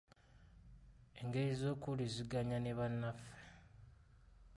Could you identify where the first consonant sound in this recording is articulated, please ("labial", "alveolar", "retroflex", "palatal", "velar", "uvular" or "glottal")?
velar